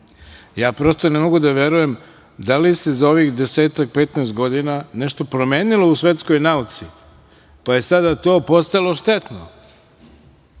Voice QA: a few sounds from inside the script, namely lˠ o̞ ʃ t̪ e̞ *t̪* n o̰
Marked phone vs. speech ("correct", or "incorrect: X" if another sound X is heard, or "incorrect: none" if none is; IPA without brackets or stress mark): correct